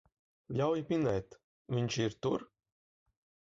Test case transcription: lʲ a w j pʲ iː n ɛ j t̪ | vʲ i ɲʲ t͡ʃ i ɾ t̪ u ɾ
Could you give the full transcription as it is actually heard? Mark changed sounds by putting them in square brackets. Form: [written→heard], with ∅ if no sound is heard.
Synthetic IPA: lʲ a w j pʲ [iː→i] n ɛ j t̪ | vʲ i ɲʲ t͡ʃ i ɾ t̪ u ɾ

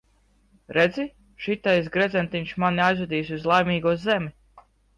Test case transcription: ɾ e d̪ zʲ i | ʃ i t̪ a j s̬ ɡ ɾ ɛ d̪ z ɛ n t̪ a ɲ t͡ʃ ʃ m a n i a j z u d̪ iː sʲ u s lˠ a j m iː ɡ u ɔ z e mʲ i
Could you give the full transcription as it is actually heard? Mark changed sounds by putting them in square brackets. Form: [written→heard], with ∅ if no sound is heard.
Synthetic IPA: ɾ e d̪ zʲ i | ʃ i t̪ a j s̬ ɡ ɾ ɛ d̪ z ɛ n t̪ [a→i] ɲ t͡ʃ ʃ m a n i a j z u d̪ iː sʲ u [s→z] lˠ a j m iː ɡ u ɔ z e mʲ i

